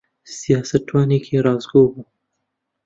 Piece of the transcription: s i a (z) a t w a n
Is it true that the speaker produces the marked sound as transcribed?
no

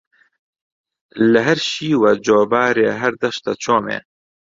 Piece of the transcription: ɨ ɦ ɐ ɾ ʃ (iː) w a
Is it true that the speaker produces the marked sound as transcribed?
yes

